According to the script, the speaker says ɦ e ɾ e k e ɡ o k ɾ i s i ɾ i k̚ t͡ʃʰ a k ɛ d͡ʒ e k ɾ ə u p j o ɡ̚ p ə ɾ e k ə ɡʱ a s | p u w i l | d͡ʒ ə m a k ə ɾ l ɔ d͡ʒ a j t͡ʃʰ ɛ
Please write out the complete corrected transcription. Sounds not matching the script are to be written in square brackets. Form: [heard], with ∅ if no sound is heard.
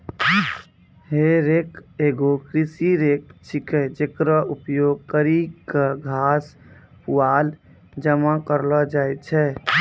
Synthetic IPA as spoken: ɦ e ɾ e k e ɡ o k ɾ i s i ɾ [e] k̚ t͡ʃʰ [i] k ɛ d͡ʒ e k ɾ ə u p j o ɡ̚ [k] ə ɾ [i] k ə ɡʱ a s | p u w [a] l | d͡ʒ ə m a k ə ɾ l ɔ d͡ʒ a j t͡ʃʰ ɛ

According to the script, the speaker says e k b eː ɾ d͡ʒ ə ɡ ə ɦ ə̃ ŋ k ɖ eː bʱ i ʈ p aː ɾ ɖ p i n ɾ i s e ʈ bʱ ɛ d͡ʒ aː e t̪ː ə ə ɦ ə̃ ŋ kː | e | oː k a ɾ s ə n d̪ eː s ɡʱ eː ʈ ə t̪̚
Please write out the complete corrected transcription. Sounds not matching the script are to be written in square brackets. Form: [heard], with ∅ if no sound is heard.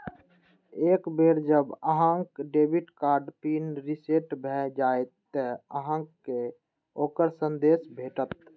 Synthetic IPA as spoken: e k b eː ɾ d͡ʒ ə [b] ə ɦ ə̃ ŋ k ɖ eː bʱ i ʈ [k] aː ɾ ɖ p i n ɾ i s e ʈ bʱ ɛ d͡ʒ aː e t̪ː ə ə ɦ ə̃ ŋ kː | e | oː k [ə] ɾ s ə n d̪ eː s [bʱ] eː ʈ ə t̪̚

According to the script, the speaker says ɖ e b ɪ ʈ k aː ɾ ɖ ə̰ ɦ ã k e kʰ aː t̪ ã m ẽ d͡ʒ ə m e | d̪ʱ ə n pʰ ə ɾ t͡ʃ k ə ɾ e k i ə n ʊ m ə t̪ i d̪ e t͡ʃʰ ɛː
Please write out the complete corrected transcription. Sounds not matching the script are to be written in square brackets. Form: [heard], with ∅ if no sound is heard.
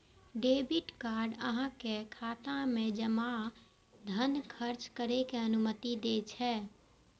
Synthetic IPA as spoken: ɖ e b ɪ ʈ k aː ɾ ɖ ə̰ ɦ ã k e kʰ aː t̪ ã m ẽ d͡ʒ ə m [a] | d̪ʱ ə n [kʰ] ə ɾ t͡ʃ k ə ɾ e k [e] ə n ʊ m ə t̪ i d̪ e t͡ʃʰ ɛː

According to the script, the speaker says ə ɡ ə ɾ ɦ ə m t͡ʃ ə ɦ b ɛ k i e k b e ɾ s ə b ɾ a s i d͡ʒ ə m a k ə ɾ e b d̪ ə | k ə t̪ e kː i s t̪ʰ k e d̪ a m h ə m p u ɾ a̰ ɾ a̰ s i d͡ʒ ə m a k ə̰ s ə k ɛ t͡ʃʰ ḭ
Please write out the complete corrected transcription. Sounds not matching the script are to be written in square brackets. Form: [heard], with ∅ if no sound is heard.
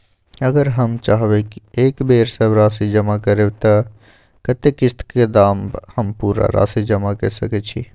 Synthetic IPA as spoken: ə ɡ ə ɾ ɦ ə m t͡ʃ [a] ɦ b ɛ k i e k b e ɾ s ə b ɾ a s i d͡ʒ ə m a k ə ɾ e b [t̪] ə | k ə t̪ e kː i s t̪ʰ k e d̪ a m h ə m p u ɾ a̰ ɾ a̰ s i d͡ʒ ə m a k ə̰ s ə k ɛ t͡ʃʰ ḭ

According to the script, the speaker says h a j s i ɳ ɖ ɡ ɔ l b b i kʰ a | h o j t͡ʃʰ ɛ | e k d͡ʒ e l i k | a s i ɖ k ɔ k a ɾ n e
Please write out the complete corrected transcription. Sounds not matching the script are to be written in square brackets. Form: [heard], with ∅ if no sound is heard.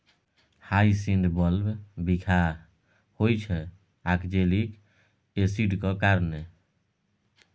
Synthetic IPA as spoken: h a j s i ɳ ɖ [b] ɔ l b b i kʰ a | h o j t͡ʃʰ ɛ | [a] k d͡ʒ e l i k | [e] s i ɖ k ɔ k a ɾ n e

